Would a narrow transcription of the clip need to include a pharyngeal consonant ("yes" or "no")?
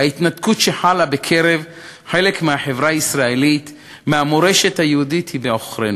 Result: yes